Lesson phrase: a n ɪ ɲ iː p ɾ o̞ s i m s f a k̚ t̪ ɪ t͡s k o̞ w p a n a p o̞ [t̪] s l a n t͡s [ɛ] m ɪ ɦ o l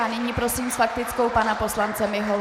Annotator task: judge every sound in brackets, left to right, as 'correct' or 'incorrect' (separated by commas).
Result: incorrect, correct